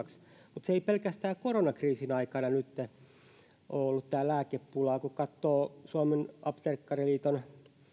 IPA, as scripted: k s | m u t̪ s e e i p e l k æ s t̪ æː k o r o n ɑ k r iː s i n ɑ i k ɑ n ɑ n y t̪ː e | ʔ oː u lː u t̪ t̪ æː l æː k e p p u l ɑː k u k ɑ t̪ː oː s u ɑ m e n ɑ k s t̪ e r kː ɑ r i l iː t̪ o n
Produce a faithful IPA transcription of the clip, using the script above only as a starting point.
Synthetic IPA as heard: k s | m u t̪ s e e i p e l k æ s t̪ æː k o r o n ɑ k r iː s i n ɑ i k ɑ n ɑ n y t̪ː e | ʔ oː o lː u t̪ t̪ æː l æː k e p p u l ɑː k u k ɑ t̪ː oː s u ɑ m e n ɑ p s t̪ e r kː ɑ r i l iː t̪ o n